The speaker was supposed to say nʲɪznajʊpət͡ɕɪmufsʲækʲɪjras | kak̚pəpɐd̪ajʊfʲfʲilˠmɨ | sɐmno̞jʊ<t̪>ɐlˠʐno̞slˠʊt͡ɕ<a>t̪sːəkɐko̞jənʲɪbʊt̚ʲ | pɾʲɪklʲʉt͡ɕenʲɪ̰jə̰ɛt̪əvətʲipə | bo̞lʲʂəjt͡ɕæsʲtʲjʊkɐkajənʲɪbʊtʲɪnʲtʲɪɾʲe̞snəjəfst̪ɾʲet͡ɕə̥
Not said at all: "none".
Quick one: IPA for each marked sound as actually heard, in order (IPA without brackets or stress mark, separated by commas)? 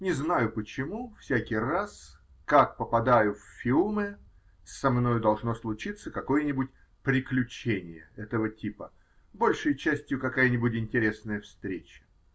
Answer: d̪, i